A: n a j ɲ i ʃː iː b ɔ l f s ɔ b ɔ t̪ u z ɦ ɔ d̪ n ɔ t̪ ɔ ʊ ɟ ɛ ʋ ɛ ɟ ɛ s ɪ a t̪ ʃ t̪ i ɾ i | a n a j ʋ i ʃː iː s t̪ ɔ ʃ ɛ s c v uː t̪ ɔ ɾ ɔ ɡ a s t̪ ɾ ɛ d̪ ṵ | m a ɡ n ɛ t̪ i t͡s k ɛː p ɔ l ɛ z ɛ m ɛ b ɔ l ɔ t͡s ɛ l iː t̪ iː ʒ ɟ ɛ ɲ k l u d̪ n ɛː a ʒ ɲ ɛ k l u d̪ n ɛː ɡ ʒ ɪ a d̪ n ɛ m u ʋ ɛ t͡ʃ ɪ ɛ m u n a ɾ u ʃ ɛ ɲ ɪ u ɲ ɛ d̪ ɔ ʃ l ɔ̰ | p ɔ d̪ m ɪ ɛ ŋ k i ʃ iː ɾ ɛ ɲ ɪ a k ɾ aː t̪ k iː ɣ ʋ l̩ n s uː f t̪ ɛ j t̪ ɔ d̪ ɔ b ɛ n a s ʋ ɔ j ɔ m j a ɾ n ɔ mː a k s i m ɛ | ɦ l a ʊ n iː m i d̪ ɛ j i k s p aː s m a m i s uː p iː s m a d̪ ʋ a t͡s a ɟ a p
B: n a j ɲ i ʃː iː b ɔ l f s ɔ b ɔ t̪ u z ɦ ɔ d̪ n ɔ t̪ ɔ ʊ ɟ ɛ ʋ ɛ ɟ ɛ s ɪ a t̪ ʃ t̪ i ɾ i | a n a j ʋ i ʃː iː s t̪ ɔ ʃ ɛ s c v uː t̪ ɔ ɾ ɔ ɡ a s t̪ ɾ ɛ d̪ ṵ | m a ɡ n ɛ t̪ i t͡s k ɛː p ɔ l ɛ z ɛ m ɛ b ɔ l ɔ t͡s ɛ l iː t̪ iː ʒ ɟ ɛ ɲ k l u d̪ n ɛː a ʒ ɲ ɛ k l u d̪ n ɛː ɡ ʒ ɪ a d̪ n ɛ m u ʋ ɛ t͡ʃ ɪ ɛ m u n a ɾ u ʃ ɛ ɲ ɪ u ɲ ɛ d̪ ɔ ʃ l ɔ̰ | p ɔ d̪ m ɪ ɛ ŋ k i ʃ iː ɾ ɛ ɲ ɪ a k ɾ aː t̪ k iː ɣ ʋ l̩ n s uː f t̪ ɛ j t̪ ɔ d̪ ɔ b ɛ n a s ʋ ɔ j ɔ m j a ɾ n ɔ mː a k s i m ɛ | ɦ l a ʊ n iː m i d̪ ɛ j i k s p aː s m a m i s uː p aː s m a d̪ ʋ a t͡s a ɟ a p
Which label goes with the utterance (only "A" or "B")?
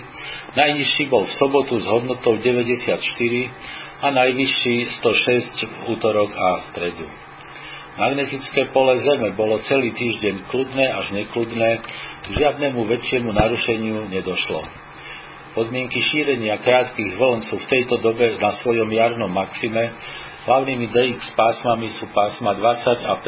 B